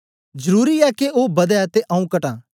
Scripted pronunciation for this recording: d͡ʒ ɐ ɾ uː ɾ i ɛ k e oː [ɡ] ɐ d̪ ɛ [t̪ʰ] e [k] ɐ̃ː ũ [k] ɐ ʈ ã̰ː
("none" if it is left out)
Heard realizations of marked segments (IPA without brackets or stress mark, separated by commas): b, t̪, ʔ, k